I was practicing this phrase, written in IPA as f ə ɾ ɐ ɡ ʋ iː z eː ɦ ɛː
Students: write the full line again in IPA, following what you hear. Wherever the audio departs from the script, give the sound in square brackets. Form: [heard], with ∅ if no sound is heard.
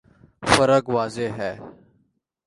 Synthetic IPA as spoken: f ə ɾ [ə] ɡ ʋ [aː] z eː ɦ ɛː